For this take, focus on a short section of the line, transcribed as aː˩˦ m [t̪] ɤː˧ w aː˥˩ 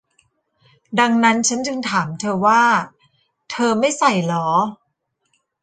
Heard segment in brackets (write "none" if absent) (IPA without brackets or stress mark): t̪ʰ